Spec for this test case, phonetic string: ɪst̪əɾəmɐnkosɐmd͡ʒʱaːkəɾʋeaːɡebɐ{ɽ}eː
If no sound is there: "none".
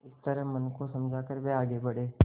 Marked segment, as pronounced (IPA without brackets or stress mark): ɽ